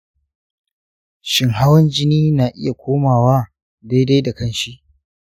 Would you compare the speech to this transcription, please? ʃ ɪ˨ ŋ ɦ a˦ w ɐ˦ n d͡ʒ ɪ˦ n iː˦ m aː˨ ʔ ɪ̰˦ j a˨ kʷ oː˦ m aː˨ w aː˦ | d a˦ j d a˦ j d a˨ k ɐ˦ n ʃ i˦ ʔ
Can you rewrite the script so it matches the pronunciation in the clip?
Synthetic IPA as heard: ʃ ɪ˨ ŋ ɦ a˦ w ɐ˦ n d͡ʒ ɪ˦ n iː˦ n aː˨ ʔ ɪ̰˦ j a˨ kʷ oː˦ m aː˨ w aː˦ | d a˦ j d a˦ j d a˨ k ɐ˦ n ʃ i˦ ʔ